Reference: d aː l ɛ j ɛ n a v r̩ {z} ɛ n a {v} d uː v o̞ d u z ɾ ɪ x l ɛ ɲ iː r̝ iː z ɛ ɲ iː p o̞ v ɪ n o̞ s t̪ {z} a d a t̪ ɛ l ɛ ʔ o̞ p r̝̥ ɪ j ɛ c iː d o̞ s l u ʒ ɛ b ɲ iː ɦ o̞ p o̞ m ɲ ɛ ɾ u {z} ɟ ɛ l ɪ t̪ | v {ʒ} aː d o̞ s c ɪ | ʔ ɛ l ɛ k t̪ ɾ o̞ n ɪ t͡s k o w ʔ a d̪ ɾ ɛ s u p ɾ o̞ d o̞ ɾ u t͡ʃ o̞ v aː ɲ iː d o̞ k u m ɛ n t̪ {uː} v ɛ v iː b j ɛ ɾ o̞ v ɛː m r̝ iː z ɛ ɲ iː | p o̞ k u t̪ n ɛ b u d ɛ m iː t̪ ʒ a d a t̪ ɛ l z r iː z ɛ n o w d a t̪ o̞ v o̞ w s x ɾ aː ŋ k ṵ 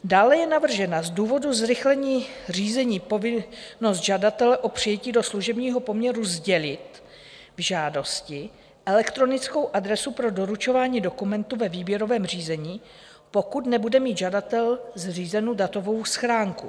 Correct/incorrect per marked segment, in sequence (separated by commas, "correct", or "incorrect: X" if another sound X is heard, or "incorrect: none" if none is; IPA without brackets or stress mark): incorrect: ʒ, incorrect: z, incorrect: ʒ, correct, correct, incorrect: u